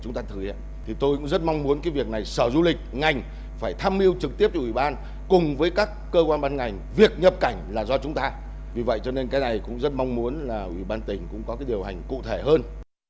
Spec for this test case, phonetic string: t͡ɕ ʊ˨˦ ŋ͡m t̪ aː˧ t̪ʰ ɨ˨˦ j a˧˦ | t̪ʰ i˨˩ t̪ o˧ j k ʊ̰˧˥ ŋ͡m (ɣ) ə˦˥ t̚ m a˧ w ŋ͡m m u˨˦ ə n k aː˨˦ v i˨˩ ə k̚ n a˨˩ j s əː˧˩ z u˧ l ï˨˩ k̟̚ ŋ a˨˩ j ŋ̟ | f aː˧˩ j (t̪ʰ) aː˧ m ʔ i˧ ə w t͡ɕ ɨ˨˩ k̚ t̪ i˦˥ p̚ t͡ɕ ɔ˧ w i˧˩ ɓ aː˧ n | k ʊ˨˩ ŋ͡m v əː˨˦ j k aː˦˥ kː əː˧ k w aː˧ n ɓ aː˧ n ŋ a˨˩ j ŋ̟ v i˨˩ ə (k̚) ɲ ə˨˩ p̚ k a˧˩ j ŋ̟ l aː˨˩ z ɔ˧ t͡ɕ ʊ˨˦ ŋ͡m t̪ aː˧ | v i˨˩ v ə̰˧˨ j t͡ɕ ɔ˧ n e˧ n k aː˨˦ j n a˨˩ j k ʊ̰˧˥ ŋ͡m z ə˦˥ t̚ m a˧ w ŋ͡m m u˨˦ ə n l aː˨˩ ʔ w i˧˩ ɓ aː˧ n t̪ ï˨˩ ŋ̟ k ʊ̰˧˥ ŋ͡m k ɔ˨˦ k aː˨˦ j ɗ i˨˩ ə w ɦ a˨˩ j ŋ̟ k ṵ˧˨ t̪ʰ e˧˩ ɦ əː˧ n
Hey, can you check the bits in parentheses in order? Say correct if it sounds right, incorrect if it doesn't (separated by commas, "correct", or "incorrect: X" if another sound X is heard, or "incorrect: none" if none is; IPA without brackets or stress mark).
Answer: incorrect: z, correct, correct